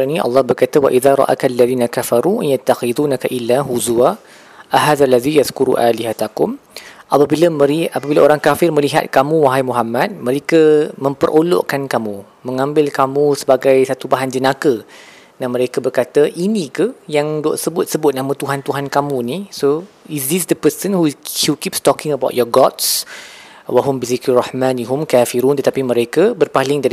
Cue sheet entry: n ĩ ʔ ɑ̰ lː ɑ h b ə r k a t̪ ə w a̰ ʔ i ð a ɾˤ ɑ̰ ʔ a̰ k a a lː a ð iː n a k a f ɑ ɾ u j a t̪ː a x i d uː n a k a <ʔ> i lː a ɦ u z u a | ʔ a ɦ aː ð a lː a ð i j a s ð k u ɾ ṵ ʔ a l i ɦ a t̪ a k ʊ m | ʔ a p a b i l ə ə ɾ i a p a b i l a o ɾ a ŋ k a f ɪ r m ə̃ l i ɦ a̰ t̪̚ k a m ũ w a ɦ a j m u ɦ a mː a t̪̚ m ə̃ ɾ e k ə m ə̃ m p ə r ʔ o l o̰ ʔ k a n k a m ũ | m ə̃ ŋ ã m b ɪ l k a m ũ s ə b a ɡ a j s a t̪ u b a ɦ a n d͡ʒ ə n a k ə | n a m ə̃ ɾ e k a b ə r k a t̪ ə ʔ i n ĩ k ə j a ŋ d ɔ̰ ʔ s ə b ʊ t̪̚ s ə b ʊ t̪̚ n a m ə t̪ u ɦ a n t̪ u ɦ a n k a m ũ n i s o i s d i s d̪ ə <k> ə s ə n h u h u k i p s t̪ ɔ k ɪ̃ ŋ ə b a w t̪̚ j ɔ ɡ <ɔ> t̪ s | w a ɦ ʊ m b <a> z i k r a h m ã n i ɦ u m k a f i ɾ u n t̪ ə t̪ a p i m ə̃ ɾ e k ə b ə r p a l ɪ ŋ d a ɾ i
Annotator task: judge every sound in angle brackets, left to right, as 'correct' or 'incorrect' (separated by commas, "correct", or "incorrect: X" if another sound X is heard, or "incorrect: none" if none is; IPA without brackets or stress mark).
correct, incorrect: p, correct, incorrect: i